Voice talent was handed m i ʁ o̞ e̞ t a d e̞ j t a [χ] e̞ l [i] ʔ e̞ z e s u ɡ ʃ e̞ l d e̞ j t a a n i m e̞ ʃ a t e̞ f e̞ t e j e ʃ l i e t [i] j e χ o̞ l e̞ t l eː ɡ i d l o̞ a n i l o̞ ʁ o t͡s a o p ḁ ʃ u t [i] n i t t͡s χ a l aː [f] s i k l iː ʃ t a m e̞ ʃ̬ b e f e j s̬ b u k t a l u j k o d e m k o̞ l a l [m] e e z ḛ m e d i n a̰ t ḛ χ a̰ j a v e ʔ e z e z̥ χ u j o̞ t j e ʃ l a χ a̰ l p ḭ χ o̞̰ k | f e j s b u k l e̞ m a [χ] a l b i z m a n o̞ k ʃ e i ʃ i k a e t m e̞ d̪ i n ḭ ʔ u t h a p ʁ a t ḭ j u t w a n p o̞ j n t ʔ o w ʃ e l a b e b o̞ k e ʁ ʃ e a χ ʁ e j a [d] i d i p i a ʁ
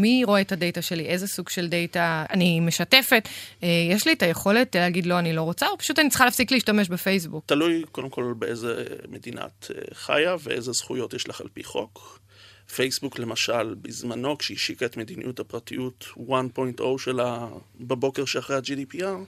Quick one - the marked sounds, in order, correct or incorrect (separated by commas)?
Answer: incorrect, correct, incorrect, incorrect, correct, incorrect, incorrect, incorrect